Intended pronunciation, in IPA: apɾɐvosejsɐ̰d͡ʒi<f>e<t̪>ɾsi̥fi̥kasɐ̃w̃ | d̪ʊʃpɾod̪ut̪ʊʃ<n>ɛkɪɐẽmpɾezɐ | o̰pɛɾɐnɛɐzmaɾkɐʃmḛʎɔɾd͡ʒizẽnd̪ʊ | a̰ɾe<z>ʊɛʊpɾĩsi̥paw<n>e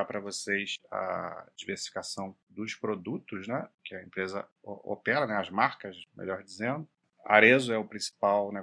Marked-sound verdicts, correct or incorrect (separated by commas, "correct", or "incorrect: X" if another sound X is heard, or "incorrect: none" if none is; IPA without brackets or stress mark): incorrect: v, incorrect: none, correct, correct, correct